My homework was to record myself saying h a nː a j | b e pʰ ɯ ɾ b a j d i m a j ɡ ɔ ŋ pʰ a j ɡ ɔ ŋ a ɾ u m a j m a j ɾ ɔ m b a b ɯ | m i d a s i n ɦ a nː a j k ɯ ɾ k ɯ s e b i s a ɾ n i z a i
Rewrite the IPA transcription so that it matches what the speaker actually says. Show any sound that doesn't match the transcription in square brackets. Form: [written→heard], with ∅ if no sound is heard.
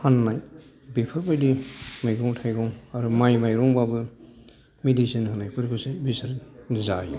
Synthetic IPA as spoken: h a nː a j | b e pʰ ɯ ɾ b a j d i m a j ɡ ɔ ŋ [pʰ→tʰ] a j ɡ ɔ ŋ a ɾ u m a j m a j ɾ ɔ [m→ŋ] b a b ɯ | m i d [a→i] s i n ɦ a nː a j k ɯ ɾ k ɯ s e b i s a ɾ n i z a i

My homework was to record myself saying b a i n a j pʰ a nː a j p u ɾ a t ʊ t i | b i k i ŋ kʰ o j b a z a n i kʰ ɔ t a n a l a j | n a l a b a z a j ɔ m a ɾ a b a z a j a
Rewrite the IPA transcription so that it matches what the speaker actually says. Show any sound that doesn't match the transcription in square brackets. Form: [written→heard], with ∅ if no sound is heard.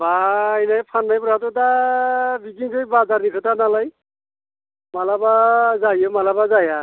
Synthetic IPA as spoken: b a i n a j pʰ a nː a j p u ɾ a t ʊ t [i→a] | b i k i ŋ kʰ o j b a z a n i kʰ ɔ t a n a l a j | [n→m] a l a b a z a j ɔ m a [ɾ→l] a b a z a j a

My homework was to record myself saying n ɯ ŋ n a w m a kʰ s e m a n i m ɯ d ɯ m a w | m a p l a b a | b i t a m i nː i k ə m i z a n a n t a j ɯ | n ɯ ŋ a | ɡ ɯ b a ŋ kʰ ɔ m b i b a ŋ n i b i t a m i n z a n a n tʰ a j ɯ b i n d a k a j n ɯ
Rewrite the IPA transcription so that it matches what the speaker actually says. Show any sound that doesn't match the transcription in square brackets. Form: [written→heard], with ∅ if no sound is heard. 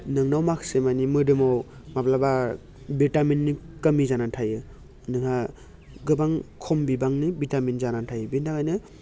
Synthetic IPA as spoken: n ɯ ŋ n a w m a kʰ s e m a n i m ɯ d ɯ m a w | m a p l a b a | b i t a m i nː i k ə m i z a n a n [t→tʰ] a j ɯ | n ɯ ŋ a | ɡ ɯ b a ŋ kʰ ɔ m b i b a ŋ n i b i t a m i n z a n a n tʰ a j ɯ b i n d a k a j n ɯ

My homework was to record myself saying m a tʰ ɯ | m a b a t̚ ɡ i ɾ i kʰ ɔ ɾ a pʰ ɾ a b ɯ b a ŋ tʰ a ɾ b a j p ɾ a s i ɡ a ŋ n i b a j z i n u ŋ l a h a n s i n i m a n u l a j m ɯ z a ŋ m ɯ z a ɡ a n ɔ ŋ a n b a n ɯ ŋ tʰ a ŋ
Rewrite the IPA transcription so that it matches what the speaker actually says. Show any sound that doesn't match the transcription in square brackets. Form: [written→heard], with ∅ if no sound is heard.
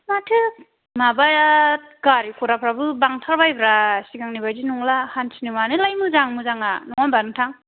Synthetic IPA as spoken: m a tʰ ɯ | m a b a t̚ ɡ [i→a] ɾ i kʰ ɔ ɾ a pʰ ɾ a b ɯ b a ŋ tʰ a ɾ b a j [p→b] ɾ a s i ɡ a ŋ n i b a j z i n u ŋ l a h a n s i n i m a n [u→ɯ] l a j m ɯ z a ŋ m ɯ z a [ɡ→ŋ] a n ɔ ŋ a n b a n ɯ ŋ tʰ a ŋ

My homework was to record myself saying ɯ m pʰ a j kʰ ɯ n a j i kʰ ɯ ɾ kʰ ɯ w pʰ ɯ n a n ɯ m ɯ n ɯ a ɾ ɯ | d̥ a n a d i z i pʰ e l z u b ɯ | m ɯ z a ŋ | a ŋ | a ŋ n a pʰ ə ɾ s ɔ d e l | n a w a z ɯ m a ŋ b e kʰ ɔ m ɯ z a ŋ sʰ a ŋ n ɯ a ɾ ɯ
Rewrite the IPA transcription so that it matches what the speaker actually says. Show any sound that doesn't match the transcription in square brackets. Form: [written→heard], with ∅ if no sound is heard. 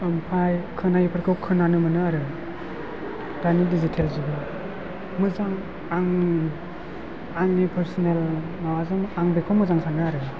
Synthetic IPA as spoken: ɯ m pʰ a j kʰ ɯ n a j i [kʰ→pʰ] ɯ ɾ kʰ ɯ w [pʰ→kʰ] ɯ n a n ɯ m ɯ n ɯ a ɾ ɯ | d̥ a n [a→i] d i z i [pʰ→tʰ] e l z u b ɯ | m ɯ z a ŋ | a ŋ | a ŋ n [a→i] pʰ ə ɾ s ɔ [d→n] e l | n a w a z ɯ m a ŋ b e kʰ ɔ m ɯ z a ŋ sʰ a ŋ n ɯ a ɾ ɯ

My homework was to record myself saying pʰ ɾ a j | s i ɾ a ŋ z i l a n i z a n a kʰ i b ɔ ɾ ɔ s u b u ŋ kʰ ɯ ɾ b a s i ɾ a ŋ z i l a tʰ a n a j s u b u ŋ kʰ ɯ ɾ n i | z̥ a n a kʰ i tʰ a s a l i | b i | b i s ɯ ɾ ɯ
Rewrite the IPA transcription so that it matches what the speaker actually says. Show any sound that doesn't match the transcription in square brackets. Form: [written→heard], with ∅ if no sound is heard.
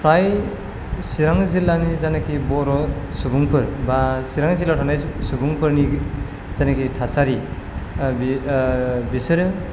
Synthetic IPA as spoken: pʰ ɾ a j | s i ɾ a ŋ z i l a n i z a n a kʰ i b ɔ ɾ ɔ s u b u ŋ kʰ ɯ ɾ b a s i ɾ a ŋ z i l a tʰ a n a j s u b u ŋ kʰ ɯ ɾ n i | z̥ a n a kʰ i tʰ a s a [l→ɾ] i | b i | b i s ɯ ɾ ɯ

